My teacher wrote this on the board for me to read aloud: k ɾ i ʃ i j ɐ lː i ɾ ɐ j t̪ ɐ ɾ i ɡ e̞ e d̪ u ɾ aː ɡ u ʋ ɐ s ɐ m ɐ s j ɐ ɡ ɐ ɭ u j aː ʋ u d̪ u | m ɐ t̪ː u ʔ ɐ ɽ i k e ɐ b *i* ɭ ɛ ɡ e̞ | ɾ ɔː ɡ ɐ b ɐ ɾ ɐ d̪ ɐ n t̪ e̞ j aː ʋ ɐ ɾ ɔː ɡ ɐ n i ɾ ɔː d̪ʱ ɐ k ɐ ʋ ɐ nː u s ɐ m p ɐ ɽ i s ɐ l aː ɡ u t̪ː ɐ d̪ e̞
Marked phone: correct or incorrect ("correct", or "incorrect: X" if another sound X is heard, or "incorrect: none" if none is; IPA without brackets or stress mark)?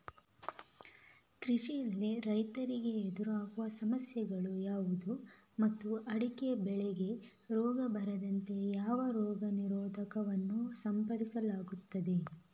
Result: incorrect: ɛ